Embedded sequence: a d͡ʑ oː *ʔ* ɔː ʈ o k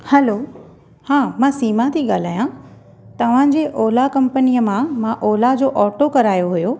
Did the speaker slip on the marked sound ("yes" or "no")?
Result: no